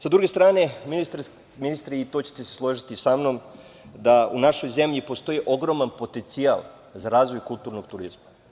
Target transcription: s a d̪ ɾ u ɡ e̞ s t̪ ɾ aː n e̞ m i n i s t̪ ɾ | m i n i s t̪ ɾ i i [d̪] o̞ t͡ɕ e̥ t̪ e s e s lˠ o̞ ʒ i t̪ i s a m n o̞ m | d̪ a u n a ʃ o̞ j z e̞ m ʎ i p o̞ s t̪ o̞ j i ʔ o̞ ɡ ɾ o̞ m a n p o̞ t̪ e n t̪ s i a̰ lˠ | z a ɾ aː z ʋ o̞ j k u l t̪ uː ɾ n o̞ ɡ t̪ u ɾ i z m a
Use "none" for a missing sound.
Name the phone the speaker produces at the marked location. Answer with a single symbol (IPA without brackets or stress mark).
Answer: t̪